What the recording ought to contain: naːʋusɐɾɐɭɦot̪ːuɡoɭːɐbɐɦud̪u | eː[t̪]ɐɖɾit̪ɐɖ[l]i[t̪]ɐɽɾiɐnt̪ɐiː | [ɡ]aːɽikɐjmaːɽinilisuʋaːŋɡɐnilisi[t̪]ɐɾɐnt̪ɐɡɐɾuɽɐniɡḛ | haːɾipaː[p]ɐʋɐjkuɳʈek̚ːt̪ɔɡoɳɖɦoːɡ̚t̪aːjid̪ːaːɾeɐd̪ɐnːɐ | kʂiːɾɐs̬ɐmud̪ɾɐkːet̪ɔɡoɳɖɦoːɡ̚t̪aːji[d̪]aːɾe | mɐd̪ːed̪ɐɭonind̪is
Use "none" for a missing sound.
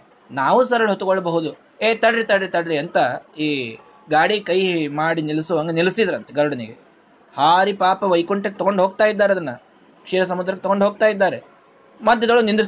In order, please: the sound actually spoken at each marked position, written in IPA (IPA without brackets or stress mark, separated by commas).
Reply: t̪, ɾ, t̪, ɡ, d̪, p, d̪ː